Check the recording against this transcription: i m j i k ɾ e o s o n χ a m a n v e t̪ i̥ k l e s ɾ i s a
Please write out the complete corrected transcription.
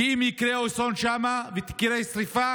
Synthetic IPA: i m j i k ɾ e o s o n ʃ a m a v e t̪ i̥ k ɾ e s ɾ i f a